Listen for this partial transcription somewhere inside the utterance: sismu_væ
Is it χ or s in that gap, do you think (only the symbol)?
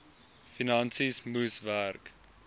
s